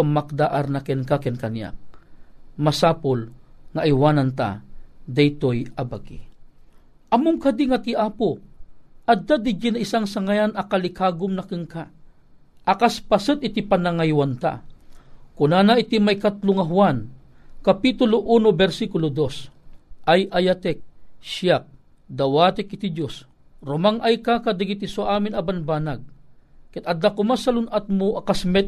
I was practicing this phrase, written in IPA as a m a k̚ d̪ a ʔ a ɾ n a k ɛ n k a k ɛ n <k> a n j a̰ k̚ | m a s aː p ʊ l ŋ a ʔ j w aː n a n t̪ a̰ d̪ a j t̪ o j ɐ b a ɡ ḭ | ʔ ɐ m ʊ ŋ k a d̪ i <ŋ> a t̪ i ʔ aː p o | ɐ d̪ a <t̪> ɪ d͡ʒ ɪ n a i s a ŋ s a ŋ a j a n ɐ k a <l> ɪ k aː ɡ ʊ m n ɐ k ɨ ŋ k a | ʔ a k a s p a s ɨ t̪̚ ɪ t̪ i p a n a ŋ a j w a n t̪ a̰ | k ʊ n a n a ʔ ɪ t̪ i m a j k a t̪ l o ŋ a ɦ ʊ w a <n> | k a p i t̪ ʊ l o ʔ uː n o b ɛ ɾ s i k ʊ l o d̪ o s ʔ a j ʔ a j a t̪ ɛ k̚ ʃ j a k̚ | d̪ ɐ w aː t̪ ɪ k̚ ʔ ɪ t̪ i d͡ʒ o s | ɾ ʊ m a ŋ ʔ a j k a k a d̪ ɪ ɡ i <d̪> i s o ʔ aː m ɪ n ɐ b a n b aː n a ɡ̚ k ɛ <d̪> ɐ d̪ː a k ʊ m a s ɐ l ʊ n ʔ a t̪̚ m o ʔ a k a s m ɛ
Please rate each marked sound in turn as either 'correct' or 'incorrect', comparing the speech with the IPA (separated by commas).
correct, correct, incorrect, correct, correct, incorrect, incorrect